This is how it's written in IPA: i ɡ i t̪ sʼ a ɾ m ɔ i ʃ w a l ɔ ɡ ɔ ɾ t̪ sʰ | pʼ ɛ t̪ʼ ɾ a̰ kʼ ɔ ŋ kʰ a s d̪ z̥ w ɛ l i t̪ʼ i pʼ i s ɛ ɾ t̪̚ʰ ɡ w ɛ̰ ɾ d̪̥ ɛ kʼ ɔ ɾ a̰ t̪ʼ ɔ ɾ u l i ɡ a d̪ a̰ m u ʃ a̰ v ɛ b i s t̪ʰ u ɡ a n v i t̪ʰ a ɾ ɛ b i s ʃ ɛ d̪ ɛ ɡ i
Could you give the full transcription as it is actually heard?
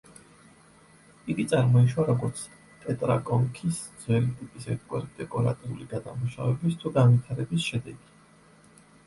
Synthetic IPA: i ɡ i t̪ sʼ a ɾ m ɔ i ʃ w a ɾ ɔ ɡ ɔ ɾ t̪ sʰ | pʼ ɛ t̪ʼ ɾ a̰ kʼ ɔ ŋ kʰ i s d̪ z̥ w ɛ l i t̪ʼ i pʼ i s ɛ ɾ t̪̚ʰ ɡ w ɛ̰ ɾ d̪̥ ɛ kʼ ɔ ɾ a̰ t̪ʼ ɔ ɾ u l i ɡ a d̪ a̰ m u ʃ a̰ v ɛ b i s t̪ʰ u ɡ a n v i t̪ʰ a ɾ ɛ b i s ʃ ɛ d̪ ɛ ɡ i